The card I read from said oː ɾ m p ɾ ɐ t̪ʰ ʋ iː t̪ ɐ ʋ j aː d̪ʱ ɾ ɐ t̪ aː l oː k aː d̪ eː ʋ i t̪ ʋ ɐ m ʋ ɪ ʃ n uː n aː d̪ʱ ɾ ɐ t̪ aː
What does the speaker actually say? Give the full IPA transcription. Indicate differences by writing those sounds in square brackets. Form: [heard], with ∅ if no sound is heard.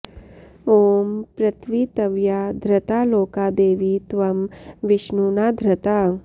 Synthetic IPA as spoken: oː [∅] m p ɾ ɐ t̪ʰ ʋ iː t̪ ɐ ʋ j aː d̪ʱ ɾ ɐ t̪ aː l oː k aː d̪ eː ʋ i t̪ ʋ ɐ m ʋ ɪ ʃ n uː n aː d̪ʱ ɾ ɐ t̪ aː